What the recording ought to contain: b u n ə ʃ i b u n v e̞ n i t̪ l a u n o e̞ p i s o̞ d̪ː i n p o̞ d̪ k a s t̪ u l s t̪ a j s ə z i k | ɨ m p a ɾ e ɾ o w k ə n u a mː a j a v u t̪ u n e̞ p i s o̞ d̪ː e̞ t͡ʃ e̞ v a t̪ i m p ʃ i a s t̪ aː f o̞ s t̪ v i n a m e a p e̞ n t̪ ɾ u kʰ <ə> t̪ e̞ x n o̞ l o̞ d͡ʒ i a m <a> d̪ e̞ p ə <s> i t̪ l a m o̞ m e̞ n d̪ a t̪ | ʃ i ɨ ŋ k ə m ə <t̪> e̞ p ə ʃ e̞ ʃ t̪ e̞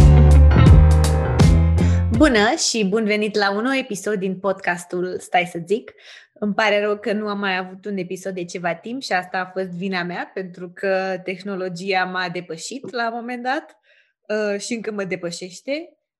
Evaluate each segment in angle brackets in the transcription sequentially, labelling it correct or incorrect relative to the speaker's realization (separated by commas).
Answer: correct, correct, incorrect, incorrect